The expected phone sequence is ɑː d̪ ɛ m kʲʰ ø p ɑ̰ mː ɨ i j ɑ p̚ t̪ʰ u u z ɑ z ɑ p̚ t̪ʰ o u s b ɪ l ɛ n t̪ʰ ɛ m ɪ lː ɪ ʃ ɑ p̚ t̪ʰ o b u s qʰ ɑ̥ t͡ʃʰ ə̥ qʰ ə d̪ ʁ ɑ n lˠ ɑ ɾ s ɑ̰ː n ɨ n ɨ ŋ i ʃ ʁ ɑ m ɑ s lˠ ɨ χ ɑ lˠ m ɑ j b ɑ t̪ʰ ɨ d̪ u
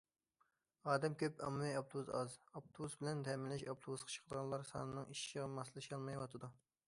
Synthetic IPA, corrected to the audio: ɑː d̪ ɛ m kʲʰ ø p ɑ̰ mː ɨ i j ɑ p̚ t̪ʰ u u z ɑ z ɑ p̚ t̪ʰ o u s b ɪ l ɛ n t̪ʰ ɛ m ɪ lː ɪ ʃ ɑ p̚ t̪ʰ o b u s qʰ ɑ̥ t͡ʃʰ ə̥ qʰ ə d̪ ʁ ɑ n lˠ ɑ ɾ s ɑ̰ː n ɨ n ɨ ŋ i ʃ ʁ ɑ m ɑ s lˠ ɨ ʃ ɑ lˠ m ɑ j w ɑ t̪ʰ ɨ d̪ u